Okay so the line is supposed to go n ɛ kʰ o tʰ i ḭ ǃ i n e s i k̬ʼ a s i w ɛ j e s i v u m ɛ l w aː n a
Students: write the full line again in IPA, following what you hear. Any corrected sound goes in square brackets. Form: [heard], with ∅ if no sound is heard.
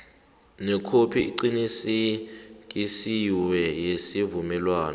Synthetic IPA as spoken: n ɛ kʰ o [pʰ] i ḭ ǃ i n [i] s i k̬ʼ [i] s i w ɛ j e s i v u m ɛ l w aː n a

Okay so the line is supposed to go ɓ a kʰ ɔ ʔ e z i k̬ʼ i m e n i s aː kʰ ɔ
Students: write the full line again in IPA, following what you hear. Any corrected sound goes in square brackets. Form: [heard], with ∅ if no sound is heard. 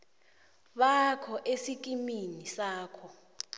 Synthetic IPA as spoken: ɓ a kʰ ɔ ʔ e [s] i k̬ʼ i m [i] n i s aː kʰ ɔ

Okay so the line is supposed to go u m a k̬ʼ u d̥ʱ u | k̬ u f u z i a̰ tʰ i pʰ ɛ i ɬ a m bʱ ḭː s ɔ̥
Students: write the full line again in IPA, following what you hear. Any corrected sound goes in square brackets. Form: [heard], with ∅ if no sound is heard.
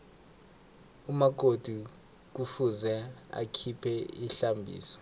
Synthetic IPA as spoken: u m a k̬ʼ [o] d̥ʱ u | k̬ u f u z [ɛ] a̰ [kʰ] i pʰ ɛ i ɬ a m bʱ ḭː s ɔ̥

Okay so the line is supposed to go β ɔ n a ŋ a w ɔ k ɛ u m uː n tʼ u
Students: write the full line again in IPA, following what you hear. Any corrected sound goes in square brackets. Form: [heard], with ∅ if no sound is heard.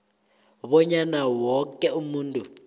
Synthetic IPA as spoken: β ɔ [ɲ] a [n] a w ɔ k ɛ u m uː n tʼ u

